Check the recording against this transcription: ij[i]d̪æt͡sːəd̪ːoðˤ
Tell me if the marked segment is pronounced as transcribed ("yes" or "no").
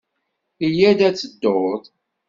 no